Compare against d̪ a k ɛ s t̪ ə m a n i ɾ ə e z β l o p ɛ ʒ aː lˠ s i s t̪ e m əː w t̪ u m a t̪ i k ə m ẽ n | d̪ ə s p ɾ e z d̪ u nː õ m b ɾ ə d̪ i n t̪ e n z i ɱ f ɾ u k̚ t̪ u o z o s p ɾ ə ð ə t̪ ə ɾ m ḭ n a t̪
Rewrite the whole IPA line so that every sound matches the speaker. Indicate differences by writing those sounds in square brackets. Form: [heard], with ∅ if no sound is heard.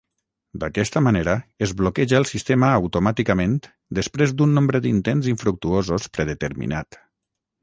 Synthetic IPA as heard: d̪ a k ɛ s t̪ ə m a n [e] ɾ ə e z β l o [k] ɛ ʒ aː lˠ s i s t̪ e m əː w t̪ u m a t̪ i k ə m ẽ n | d̪ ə s p ɾ e z d̪ u nː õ m b ɾ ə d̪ i n t̪ e n z i ɱ f ɾ u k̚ t̪ u o z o s p ɾ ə ð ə t̪ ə ɾ m ḭ n a t̪

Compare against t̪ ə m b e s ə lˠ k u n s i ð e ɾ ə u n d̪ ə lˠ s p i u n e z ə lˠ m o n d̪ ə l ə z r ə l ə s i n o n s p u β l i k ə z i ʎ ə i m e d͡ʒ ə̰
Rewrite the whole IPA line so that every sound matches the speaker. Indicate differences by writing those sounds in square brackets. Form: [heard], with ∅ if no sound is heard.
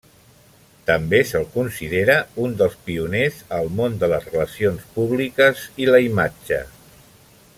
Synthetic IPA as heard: t̪ ə m b e s ə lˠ k u n s i ð e ɾ ə u n d̪ ə lˠ s p i u n e z ə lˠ m o n d̪ ə l ə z r ə l ə s i [∅] o n s p u β l i k ə z i [l] ə i m [a] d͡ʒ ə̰

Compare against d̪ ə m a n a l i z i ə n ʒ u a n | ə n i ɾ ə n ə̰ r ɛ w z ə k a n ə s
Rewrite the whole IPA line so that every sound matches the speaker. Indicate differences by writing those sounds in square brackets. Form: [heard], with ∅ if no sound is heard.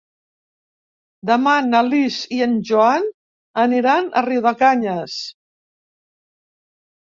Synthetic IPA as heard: d̪ ə m a n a l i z i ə n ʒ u a n | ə n i ɾ [a] n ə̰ r [i] w [ð] ə k a [ɲ] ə s

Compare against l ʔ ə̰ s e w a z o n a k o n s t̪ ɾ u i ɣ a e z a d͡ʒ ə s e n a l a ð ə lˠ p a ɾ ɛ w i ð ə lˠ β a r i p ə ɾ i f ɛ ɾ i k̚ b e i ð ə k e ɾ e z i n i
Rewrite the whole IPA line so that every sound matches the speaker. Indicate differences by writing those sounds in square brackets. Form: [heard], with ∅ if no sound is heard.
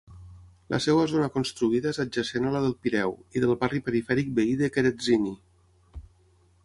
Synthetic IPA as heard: l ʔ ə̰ s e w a z o n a k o n s t̪ ɾ u i [ð] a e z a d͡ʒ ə s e n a l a ð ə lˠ p [i] ɾ ɛ w i ð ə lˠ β a r i p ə ɾ i f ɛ ɾ i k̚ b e i ð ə k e ɾ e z i n i

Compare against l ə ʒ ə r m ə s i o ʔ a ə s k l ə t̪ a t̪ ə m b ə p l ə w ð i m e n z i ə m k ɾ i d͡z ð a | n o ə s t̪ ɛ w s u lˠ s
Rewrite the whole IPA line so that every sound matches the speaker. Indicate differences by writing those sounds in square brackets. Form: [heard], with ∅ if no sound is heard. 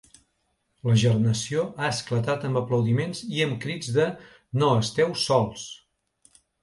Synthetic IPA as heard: l ə ʒ ə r [n] ə s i o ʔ a ə s k l ə t̪ a t̪ ə m b ə p l ə w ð i m e n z i ə m k ɾ i d͡z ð [ə] | n o ə s t̪ ɛ w s [ɔ] lˠ s

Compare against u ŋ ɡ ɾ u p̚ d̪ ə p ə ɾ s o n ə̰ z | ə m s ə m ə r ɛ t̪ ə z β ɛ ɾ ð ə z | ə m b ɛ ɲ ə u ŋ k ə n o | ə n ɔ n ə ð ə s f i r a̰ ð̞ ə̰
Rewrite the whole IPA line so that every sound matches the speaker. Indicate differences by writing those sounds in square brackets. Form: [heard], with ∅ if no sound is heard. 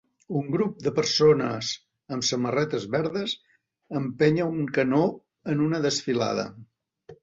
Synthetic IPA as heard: u ŋ ɡ ɾ u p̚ d̪ ə p ə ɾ s o n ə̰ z | ə m s ə m ə r ɛ t̪ ə z β ɛ ɾ ð ə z | ə m [p] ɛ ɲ ə u ŋ k ə n o | ə n [u] n ə ð ə s f i [l] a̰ ð̞ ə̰

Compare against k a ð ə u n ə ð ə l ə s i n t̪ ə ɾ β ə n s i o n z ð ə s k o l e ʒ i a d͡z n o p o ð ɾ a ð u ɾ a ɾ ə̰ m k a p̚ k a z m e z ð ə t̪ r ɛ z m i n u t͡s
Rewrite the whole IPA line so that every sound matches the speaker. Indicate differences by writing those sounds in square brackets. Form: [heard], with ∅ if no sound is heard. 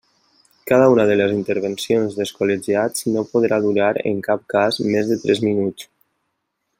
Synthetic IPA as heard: k a ð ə u n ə ð ə l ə [z] i n t̪ ə ɾ β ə n s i o n z ð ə s k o l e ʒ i a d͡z n o p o ð ɾ a ð u ɾ a ɾ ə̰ [ŋ] k a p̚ k a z m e z ð ə t̪ [ɾ] ɛ z m i n u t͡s

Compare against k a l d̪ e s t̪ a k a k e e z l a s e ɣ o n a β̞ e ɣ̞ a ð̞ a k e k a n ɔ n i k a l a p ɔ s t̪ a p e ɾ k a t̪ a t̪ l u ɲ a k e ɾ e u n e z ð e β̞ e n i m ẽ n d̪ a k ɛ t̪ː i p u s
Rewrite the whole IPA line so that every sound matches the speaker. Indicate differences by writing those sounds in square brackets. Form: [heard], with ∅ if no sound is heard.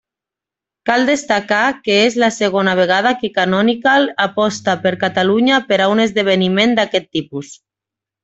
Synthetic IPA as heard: k a l d̪ e s t̪ a k a k e e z l a s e ɣ o n a β̞ e ɣ̞ a ð̞ a k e k a n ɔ n i k a l a p ɔ s t̪ a p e ɾ k a t̪ a [∅] l u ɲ a [p] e ɾ [a] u n e z ð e β̞ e n i m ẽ n d̪ a k ɛ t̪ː i p u s

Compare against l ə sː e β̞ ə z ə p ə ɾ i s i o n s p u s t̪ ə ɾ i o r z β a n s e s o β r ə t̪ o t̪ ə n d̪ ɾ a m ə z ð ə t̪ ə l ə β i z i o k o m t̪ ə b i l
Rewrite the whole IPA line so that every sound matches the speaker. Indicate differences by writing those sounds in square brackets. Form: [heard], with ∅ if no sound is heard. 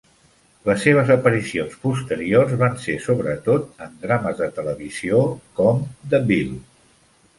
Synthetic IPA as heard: l ə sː e β̞ ə z ə p ə ɾ i s i o n s p u s t̪ ə ɾ i o r z β a n s e s o β [ɾ] ə t̪ o t̪ ə n d̪ ɾ a m ə z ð ə t̪ ə l ə β i z i o k [ɔ] m [d̪] ə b i l

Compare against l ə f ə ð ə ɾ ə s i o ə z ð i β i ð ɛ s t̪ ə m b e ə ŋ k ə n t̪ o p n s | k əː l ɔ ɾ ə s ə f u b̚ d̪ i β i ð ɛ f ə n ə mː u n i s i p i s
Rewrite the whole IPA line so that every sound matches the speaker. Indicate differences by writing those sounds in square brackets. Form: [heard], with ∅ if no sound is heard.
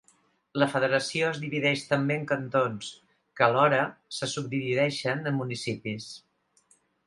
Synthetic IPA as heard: l ə f ə ð ə ɾ ə s i o ə z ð i β i ð ɛ [ʃ] t̪ ə m b e ə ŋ k ə n t̪ o [∅] n s | k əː l ɔ ɾ ə s ə [s] u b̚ d̪ i β i ð ɛ [ʃ] ə n ə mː u n i s i p i s

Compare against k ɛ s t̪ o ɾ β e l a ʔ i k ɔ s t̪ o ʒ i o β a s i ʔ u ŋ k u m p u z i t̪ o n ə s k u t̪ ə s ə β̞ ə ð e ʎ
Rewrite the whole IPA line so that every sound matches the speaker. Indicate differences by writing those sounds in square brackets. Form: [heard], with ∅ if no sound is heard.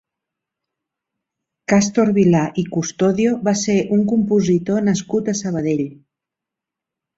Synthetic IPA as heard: k [a] s t̪ o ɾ β [i] l a ʔ i k [u] s t̪ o [ð] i o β a s [e] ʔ u ŋ k u m p u z i t̪ o n ə s k u t̪ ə s ə β̞ ə ð e ʎ

